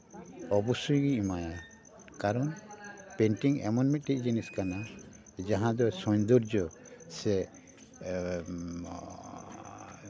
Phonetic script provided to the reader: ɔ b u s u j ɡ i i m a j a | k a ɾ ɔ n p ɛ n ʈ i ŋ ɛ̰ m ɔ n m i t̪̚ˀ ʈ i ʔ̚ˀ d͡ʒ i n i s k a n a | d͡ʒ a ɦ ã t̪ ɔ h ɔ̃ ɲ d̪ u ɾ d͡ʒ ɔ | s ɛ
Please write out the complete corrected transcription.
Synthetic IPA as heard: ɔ b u s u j ɡ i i m a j a | k a ɾ ɔ n p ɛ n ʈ i ŋ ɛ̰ m ɔ n m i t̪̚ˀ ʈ i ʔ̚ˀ d͡ʒ i n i s k a n a | d͡ʒ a ɦ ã d̪ ɔ s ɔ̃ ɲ d̪ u ɾ d͡ʒ ɔ | s ɛ